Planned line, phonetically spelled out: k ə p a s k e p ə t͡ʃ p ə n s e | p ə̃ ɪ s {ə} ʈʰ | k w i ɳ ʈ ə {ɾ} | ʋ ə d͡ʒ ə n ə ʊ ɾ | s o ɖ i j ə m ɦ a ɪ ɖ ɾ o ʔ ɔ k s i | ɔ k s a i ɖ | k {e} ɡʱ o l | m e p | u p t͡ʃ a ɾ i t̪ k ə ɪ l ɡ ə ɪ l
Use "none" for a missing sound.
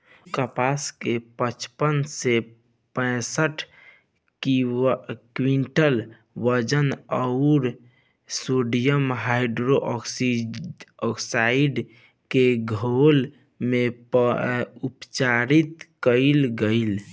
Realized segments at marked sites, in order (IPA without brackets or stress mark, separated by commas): ə, l, e